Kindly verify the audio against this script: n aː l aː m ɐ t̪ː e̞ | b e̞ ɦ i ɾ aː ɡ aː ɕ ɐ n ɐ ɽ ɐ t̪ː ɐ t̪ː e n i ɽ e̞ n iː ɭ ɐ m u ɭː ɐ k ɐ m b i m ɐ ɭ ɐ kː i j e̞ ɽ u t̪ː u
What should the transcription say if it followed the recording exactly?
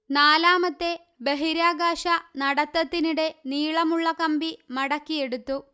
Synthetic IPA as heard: n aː l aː m ɐ t̪ː e̞ | b e̞ ɦ i ɾ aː ɡ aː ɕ ɐ n ɐ ɽ ɐ t̪ː ɐ t̪ː i n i ɽ e̞ n iː ɭ ɐ m u ɭː ɐ k ɐ m b i m ɐ ɽ ɐ kː i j e̞ ɽ u t̪ː u